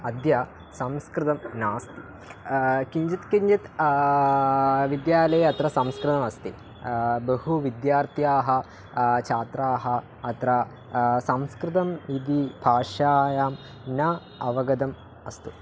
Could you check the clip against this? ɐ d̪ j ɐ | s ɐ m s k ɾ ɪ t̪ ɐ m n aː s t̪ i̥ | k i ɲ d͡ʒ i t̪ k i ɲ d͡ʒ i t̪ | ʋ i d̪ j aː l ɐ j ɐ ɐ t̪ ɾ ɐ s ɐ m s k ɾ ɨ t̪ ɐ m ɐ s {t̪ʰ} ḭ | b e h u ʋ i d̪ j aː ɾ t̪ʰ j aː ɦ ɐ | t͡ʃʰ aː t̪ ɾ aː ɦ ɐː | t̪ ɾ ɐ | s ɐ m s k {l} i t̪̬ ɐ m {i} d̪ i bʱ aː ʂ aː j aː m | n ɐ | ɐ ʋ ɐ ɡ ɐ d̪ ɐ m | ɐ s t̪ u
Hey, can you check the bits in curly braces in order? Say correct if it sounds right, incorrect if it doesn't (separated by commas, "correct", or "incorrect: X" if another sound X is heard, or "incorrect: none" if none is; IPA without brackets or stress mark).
incorrect: t̪, incorrect: ɾ, correct